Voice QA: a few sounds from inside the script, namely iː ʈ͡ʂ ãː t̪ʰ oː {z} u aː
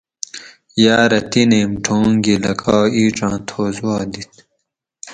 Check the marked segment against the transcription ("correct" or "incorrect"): correct